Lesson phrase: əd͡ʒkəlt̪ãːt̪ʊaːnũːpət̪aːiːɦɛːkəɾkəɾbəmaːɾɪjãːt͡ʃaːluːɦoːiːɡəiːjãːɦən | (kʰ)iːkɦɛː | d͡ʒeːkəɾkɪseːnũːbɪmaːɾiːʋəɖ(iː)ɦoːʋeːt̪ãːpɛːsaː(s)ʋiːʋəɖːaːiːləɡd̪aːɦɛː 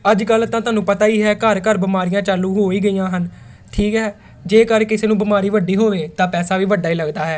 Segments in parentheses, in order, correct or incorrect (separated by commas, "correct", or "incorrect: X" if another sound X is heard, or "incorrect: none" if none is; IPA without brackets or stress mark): incorrect: ʈʰ, correct, incorrect: none